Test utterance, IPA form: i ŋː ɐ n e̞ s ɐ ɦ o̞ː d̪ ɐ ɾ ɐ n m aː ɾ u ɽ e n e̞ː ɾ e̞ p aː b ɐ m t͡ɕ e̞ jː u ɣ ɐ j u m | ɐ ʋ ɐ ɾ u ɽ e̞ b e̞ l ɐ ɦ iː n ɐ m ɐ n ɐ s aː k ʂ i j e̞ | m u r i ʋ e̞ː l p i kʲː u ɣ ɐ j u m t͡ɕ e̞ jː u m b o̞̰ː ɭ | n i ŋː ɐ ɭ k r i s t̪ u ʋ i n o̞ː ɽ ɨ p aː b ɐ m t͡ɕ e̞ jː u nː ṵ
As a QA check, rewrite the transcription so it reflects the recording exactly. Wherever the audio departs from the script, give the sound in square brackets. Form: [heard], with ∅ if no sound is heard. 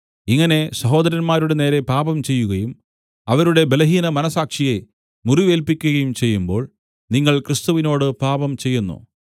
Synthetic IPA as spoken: i ŋː ɐ n e̞ s ɐ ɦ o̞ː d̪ ɐ ɾ ɐ n m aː ɾ u ɽ e n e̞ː ɾ e̞ p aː b ɐ m t͡ɕ e̞ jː u ɣ ɐ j u m | ɐ ʋ ɐ ɾ u ɽ e̞ b e̞ l ɐ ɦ iː n ɐ m ɐ n ɐ s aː k ʂ i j e̞ | m u r i ʋ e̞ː l p i kʲː u ɣ ɐ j u m t͡ɕ e̞ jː u m b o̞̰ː ɭ | n i ŋː ɐ ɭ k r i s t̪ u ʋ i n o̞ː ɽ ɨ p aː b ɐ m t͡ɕ e̞ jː u nː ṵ